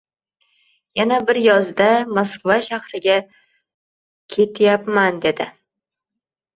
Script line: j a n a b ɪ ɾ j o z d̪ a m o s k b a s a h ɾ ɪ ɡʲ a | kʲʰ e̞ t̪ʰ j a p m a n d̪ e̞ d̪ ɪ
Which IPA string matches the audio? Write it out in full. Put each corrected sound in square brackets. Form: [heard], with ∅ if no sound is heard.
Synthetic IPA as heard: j a n a b ɪ ɾ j [ɒ] z d̪ a m o s k [v] a [ʃ] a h ɾ ɪ ɡʲ a | kʲʰ e̞ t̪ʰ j a p m a n d̪ e̞ d̪ ɪ